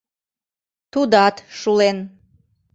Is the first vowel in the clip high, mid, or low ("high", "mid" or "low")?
high